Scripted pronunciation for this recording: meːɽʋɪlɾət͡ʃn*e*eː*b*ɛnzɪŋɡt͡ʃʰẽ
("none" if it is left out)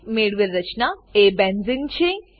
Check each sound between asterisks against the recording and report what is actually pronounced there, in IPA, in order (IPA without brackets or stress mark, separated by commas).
a, b